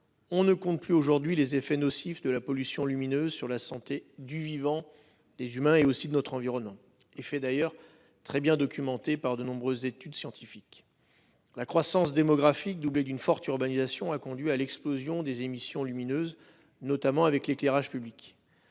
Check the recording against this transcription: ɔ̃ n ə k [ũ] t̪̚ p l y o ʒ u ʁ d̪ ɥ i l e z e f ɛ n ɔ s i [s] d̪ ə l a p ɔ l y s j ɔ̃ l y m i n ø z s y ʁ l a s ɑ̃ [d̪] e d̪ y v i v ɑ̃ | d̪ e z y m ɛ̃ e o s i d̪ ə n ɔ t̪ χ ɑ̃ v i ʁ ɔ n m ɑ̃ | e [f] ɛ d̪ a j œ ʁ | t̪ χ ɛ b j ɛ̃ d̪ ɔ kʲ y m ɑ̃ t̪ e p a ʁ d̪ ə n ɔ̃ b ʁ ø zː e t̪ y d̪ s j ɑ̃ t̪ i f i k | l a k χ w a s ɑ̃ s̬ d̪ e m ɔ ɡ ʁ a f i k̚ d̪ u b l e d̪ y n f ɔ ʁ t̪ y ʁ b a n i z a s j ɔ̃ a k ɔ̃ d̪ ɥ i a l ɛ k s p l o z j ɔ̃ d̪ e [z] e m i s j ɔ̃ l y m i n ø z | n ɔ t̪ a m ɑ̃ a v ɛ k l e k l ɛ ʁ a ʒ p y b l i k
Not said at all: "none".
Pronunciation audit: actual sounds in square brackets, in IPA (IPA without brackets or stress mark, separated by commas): ɔ̃, f, t̪, f, z